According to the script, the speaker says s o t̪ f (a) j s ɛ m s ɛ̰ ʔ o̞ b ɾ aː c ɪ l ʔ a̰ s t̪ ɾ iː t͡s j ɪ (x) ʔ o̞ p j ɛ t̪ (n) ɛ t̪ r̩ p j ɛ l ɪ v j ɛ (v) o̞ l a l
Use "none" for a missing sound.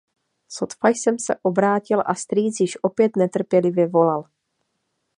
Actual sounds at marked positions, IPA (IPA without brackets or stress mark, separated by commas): a, ʃ, n, v